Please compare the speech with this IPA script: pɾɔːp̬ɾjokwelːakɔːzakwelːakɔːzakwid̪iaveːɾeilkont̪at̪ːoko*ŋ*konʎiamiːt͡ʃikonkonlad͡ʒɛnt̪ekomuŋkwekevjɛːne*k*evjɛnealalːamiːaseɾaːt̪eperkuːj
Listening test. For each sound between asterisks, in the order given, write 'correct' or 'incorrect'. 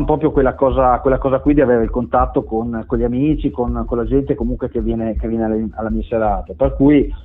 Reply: incorrect: n, correct

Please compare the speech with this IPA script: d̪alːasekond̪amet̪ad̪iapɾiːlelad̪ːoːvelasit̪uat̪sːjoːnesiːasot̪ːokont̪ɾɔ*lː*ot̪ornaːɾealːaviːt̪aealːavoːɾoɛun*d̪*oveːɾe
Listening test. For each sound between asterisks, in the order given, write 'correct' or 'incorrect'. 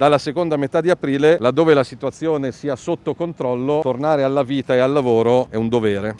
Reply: correct, correct

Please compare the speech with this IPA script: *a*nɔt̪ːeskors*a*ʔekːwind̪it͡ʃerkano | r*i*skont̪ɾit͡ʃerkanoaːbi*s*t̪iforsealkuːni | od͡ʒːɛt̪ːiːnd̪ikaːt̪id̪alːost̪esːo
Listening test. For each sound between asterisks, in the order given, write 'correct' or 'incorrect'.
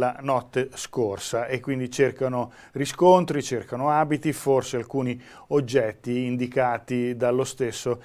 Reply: correct, correct, correct, incorrect: none

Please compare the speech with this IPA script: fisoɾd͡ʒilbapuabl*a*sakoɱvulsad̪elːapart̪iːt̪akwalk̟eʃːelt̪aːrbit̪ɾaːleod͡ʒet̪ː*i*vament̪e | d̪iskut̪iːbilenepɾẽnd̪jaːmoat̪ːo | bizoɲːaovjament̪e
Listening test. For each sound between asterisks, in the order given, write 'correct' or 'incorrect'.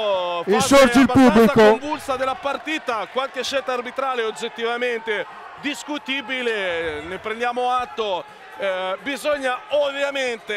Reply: incorrect: i, correct

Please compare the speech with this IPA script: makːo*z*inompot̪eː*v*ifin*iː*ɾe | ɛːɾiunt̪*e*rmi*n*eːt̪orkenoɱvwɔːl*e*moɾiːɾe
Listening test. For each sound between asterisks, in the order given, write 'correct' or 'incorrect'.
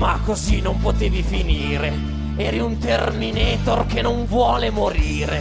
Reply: correct, correct, correct, correct, correct, correct

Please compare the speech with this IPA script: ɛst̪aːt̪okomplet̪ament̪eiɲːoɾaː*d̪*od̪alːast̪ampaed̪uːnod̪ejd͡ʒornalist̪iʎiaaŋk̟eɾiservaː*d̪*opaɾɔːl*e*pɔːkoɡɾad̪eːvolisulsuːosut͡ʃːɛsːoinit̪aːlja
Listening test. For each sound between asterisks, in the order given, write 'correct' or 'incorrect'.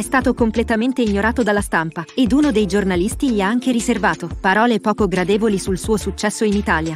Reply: incorrect: t̪, incorrect: t̪, correct

